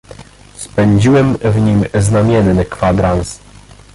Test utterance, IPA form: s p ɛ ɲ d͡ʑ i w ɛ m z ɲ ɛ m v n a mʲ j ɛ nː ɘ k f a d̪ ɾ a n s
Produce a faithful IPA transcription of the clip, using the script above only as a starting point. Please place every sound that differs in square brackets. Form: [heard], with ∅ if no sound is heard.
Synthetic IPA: s p ɛ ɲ d͡ʑ i w ɛ m [v] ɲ [i] m [z] n a mʲ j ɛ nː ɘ k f a d̪ ɾ a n s